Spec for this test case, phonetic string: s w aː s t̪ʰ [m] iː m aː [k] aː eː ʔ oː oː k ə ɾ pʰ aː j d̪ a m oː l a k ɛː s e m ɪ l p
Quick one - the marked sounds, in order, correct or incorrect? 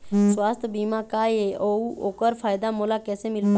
incorrect: b, correct

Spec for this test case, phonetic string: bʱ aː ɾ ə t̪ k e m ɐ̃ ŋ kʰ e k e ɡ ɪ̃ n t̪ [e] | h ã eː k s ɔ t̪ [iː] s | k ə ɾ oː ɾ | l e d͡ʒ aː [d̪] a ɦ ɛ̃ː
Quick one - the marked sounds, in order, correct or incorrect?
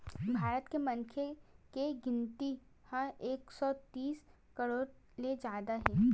incorrect: i, correct, correct

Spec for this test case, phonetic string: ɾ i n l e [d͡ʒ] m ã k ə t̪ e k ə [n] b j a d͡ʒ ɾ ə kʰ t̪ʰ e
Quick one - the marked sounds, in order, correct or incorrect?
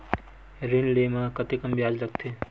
incorrect: none, incorrect: m

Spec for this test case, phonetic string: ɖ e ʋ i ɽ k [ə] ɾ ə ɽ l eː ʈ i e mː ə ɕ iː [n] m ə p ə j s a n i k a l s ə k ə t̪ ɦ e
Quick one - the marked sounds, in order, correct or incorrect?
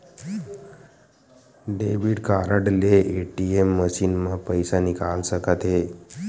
incorrect: a, correct

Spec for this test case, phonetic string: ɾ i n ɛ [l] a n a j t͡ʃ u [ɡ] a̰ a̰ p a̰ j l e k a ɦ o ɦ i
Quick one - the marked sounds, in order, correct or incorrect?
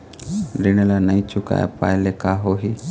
correct, incorrect: k

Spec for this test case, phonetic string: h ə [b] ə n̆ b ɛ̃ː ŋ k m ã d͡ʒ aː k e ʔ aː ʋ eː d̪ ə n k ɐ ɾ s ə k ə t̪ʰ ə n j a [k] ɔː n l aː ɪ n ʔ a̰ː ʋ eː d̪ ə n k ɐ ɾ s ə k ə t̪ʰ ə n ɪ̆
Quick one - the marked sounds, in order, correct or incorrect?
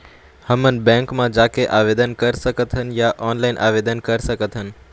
incorrect: m, incorrect: ʔ

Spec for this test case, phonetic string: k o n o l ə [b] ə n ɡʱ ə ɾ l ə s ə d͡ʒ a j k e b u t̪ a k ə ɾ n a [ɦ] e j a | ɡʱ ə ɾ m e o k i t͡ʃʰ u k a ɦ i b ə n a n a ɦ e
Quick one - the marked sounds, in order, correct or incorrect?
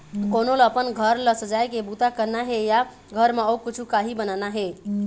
incorrect: p, correct

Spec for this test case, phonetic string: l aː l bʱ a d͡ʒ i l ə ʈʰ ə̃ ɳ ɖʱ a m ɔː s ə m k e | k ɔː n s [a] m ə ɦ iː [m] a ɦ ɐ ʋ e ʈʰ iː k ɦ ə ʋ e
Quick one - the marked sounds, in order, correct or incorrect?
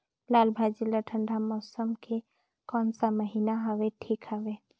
correct, incorrect: n

